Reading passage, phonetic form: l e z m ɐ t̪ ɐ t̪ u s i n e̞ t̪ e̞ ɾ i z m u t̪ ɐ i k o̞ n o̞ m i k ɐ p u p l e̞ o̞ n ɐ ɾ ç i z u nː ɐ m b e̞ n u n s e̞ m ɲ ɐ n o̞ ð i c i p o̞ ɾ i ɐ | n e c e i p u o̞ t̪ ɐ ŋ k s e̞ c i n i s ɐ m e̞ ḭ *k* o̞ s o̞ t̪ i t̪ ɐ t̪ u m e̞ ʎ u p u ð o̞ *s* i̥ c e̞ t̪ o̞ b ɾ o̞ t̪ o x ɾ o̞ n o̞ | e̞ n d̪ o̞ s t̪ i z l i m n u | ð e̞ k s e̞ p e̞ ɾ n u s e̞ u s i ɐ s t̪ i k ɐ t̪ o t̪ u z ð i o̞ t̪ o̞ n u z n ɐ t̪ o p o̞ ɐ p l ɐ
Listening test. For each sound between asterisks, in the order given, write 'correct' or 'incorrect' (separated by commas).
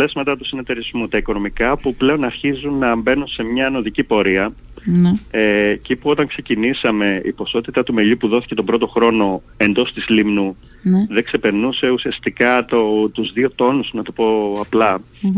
incorrect, incorrect